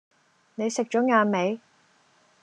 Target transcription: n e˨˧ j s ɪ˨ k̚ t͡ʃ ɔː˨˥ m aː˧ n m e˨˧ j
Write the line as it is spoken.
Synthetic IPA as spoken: n e˨˧ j s ɪ˨ k̚ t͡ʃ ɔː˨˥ ŋ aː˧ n m e˨˧ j